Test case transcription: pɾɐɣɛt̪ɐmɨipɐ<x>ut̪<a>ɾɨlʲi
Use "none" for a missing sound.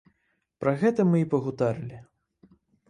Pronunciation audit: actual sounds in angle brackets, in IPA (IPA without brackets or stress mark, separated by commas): ɣ, a